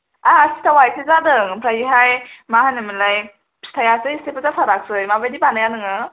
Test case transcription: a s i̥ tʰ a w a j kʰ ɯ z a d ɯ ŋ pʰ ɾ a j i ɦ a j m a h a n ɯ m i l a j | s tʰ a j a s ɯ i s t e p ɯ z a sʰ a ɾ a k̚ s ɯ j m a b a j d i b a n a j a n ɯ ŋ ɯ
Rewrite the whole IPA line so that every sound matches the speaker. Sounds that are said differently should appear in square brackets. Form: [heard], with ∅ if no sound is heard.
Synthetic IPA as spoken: a s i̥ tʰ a w a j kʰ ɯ z a d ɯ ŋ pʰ ɾ a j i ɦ a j m a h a n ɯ m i l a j | s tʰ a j a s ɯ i s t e p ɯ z a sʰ a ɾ a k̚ s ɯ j m a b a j d i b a n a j a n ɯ ŋ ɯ